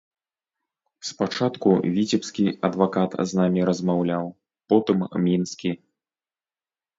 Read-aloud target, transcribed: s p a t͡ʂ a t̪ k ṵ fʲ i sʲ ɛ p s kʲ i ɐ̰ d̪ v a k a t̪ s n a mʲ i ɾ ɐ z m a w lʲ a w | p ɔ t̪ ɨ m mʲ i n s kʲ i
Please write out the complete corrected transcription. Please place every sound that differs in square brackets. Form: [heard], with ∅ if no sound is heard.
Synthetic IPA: s p a t͡ʂ a t̪ k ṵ [vʲ] i [t͡sʲ] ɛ p s kʲ i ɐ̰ d̪ v a k a t̪ [z] n a mʲ i ɾ ɐ z m a w lʲ a w | p ɔ t̪ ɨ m mʲ i n s kʲ i

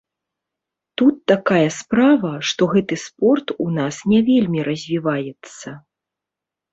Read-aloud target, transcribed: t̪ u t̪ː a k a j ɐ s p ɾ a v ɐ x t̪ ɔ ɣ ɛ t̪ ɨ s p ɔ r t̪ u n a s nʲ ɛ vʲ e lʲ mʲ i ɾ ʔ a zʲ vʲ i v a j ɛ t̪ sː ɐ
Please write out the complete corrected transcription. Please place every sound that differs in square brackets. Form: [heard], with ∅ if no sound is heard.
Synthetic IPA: t̪ u t̪ː a k a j ɐ s p ɾ a v ɐ [ʂ] t̪ ɔ ɣ ɛ t̪ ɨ s p ɔ r t̪ u n a s nʲ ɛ vʲ e lʲ mʲ i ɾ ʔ [ɐ] zʲ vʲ i v a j ɛ t̪ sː ɐ

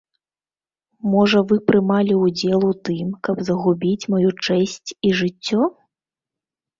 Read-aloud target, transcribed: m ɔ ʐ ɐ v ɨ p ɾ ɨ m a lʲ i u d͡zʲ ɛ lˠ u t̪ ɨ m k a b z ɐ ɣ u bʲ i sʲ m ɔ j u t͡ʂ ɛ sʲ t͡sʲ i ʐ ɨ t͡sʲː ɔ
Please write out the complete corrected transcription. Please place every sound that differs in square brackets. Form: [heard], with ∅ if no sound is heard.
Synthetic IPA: m ɔ ʐ ɐ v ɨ p ɾ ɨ m a lʲ i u d͡zʲ ɛ lˠ u t̪ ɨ m k [ɐ] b z ɐ ɣ u bʲ i [t͡sʲ] m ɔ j u t͡ʂ ɛ sʲ t͡sʲ i ʐ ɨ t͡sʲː ɔ

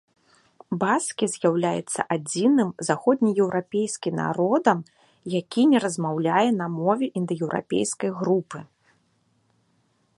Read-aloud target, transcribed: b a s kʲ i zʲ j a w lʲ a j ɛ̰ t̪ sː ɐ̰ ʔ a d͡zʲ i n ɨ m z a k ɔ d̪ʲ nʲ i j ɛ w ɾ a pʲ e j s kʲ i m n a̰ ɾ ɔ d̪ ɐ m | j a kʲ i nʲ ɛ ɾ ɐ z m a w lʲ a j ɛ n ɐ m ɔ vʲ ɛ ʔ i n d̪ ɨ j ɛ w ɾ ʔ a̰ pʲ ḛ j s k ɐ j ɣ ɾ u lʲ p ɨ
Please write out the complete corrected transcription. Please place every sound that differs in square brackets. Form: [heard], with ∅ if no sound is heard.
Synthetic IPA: b a s kʲ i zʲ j a w lʲ a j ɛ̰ t̪ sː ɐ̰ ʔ a d͡zʲ i n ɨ m z a [x] ɔ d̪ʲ nʲ i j ɛ w ɾ a pʲ e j s kʲ i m n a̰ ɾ ɔ d̪ ɐ m | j a kʲ i nʲ ɛ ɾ ɐ z m a w lʲ a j ɛ n ɐ m ɔ vʲ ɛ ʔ i n d̪ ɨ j ɛ w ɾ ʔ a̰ pʲ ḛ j s k ɐ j ɣ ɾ u [∅] p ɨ

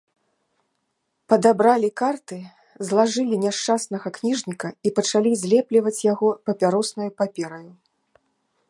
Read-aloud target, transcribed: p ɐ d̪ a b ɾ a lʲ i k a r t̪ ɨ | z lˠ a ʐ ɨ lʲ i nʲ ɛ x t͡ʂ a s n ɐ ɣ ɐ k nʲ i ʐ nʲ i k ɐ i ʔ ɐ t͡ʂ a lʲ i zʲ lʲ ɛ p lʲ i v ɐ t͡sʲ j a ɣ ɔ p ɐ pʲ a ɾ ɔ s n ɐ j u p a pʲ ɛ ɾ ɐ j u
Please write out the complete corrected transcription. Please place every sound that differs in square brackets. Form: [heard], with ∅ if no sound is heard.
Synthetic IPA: p ɐ d̪ a b ɾ a lʲ i k a r t̪ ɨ | z lˠ a ʐ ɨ lʲ i nʲ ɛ [ʂ] t͡ʂ a s n ɐ ɣ ɐ k nʲ i ʐ nʲ i k ɐ i [p] ɐ t͡ʂ a lʲ i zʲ lʲ ɛ p lʲ i v ɐ t͡sʲ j a ɣ ɔ p ɐ pʲ a ɾ ɔ s n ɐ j u p a pʲ ɛ ɾ ɐ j u

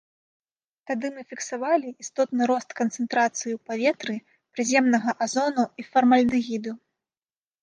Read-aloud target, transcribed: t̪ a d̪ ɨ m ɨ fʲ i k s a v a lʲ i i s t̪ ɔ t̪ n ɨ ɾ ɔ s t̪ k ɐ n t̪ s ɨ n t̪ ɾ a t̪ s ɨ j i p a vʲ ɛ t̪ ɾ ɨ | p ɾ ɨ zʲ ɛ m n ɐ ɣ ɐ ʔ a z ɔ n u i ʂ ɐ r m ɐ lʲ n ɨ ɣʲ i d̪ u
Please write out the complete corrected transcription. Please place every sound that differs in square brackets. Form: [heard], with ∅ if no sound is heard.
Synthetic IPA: t̪ a d̪ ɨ m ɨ fʲ i k s a v a lʲ i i s t̪ ɔ t̪ n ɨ ɾ ɔ s t̪ k ɐ n t̪ s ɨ n t̪ ɾ a t̪ s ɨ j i p a vʲ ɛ t̪ ɾ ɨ | p ɾ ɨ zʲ ɛ m n ɐ ɣ ɐ ʔ a z ɔ n u i [f] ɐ r m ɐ lʲ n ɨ ɣʲ i d̪ u

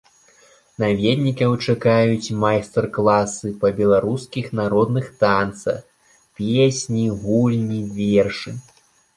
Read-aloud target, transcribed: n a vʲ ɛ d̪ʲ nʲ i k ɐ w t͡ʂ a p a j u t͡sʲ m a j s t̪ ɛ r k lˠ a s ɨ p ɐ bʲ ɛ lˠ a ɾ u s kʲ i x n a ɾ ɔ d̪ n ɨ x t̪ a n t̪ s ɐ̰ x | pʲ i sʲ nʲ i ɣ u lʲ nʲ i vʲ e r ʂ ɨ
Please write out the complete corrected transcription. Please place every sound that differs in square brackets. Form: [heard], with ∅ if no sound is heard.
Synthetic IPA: n a vʲ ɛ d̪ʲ nʲ i k ɐ w t͡ʂ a [k] a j u t͡sʲ m a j s t̪ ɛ r k lˠ a s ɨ p ɐ bʲ ɛ lˠ a ɾ u s kʲ i x n a ɾ ɔ d̪ n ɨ x t̪ a n t̪ s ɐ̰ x | pʲ [e] sʲ nʲ i ɣ u lʲ nʲ i vʲ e r ʂ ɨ

